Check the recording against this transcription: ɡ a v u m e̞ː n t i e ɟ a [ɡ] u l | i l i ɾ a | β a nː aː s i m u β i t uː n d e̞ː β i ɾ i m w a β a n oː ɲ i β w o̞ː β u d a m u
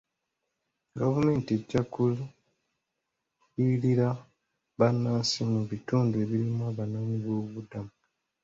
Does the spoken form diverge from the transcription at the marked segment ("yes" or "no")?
yes